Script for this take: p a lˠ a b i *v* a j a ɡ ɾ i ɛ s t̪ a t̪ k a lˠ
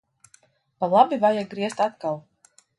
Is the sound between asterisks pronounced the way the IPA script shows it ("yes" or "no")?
yes